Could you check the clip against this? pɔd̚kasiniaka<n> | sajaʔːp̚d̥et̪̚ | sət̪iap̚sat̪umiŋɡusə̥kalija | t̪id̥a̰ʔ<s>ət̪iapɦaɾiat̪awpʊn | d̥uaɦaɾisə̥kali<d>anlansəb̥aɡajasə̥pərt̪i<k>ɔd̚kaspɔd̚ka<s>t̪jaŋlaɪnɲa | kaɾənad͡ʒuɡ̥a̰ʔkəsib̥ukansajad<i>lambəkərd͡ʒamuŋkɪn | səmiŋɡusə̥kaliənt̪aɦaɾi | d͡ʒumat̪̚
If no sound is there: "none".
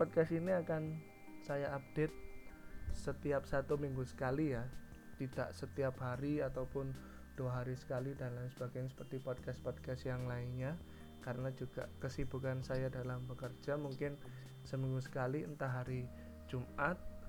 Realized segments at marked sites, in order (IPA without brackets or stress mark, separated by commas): n, s, d, p, s, a